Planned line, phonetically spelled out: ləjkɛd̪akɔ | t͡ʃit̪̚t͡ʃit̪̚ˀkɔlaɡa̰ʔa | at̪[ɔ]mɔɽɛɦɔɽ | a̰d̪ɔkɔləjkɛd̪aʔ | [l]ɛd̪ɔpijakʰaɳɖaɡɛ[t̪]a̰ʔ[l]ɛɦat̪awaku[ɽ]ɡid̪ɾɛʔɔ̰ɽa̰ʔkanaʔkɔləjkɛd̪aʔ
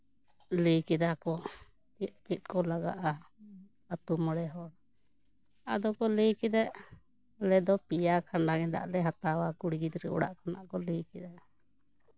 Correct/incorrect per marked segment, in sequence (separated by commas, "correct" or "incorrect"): incorrect, correct, incorrect, correct, correct